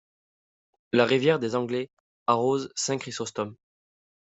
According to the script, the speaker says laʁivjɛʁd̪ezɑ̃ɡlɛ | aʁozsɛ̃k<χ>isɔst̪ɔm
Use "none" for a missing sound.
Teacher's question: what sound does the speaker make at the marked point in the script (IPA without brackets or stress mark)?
χ